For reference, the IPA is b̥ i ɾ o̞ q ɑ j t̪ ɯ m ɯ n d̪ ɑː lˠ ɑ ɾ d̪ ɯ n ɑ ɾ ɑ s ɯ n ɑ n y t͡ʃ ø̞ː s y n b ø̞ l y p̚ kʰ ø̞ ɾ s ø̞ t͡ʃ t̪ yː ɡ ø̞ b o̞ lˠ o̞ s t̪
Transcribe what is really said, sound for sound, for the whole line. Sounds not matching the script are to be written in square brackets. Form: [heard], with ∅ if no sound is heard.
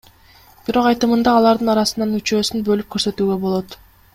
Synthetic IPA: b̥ i ɾ o̞ q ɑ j t̪ ɯ m ɯ n d̪ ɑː lˠ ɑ ɾ d̪ ɯ n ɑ ɾ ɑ s ɯ n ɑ n y t͡ʃ ø̞ː s y n b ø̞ l y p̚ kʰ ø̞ ɾ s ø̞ [∅] t̪ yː ɡ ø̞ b o̞ lˠ o̞ [∅] t̪